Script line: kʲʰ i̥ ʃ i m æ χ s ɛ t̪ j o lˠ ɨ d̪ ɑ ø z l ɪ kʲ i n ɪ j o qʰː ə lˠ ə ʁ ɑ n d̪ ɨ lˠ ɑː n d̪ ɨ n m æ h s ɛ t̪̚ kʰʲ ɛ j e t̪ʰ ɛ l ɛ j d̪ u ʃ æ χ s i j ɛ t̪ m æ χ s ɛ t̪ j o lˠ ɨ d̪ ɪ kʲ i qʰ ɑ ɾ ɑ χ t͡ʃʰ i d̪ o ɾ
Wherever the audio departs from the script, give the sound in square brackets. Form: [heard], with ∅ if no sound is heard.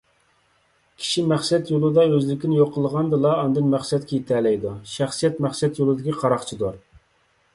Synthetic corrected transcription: kʲʰ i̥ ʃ i m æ χ s ɛ t̪ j o lˠ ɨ d̪ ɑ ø z l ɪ kʲ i n ɪ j o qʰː ə lˠ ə ʁ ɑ n d̪ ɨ lˠ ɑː n d̪ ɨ n m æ [χ] s ɛ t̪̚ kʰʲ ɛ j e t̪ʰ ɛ l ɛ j d̪ u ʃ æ χ s i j ɛ t̪ m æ χ s ɛ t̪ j o lˠ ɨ d̪ ɪ kʲ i qʰ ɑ ɾ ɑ χ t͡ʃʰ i d̪ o ɾ